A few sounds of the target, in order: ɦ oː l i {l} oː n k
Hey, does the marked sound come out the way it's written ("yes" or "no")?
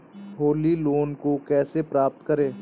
yes